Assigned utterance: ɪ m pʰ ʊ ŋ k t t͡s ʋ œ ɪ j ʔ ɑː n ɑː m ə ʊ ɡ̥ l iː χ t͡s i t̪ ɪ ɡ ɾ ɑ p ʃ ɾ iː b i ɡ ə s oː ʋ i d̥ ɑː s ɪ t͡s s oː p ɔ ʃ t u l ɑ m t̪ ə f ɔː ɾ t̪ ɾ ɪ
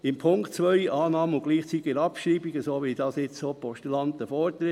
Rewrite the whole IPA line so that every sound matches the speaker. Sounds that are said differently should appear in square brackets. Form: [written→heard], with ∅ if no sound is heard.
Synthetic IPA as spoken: ɪ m pʰ ʊ ŋ k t t͡s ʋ œ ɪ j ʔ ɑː n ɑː m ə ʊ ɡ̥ l iː χ t͡s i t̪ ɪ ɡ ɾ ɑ p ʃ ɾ iː b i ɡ ə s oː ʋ i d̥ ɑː s ɪ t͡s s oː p ɔ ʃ t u l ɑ [m→n] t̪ ə f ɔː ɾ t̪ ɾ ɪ